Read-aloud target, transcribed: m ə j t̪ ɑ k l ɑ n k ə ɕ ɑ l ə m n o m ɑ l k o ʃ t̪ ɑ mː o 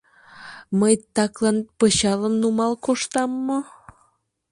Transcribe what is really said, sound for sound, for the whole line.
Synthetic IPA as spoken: m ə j t̪ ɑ k l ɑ n p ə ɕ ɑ l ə m n u m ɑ l k o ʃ t̪ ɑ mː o